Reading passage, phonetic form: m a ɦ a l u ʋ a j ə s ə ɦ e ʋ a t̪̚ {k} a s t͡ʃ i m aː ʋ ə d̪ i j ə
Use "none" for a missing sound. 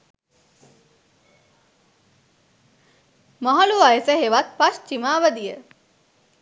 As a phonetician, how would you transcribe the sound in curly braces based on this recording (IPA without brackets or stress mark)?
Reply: p